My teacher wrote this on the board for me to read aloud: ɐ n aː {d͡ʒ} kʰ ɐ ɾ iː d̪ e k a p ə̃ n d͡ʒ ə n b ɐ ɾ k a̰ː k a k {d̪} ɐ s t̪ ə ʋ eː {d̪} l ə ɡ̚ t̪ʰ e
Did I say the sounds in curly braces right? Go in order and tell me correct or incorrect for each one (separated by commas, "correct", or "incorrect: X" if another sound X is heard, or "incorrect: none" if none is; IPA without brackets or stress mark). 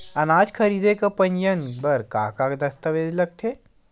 correct, correct, correct